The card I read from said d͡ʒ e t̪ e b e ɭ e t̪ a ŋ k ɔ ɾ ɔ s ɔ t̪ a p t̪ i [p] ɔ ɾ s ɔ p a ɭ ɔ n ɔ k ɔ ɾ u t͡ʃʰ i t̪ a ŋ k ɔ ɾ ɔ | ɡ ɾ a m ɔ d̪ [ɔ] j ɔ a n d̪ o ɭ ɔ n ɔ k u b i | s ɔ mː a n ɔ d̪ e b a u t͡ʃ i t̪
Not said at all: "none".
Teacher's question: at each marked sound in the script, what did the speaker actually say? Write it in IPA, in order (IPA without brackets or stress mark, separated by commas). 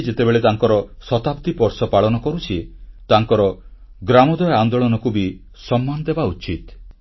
p, ɔ